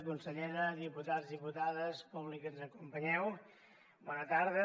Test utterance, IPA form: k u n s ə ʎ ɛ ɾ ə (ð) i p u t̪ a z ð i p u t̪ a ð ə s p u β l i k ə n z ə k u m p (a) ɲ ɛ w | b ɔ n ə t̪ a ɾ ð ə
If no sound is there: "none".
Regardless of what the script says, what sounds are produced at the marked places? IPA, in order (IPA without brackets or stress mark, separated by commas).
ð, ə